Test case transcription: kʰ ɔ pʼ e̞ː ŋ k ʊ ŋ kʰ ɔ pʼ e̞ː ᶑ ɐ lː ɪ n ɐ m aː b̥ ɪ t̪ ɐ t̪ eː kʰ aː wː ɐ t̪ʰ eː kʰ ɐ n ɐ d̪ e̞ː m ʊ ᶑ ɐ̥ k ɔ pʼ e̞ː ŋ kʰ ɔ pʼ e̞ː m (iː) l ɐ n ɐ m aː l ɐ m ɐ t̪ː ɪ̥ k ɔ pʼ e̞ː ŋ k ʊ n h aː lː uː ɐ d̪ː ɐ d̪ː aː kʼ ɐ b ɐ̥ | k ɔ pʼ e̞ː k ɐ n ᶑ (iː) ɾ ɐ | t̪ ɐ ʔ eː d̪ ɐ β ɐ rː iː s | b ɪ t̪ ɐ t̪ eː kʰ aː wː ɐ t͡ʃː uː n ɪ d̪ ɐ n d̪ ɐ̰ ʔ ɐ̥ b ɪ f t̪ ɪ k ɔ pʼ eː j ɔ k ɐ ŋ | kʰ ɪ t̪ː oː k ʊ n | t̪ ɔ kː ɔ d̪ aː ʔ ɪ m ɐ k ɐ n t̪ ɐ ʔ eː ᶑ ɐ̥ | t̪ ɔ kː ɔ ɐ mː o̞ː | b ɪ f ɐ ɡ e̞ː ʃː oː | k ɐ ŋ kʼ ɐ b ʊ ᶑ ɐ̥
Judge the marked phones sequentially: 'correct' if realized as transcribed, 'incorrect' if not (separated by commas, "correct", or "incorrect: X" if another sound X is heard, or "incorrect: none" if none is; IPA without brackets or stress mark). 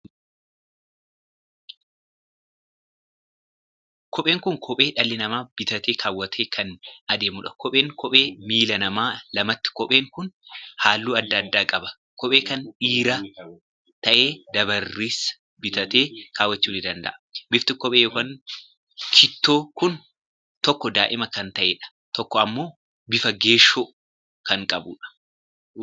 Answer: correct, correct